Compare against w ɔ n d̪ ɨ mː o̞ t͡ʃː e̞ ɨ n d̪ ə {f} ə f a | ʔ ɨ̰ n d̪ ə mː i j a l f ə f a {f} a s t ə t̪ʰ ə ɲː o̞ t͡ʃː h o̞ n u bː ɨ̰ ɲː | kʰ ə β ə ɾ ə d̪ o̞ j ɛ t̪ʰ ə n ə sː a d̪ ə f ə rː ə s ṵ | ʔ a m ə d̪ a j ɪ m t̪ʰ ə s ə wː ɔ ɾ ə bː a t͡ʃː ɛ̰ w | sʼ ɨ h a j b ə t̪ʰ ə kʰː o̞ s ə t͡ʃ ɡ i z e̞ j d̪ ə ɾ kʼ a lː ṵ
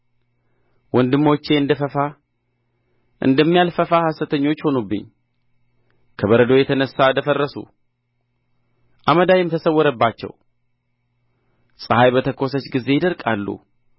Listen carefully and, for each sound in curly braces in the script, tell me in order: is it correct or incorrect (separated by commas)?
correct, incorrect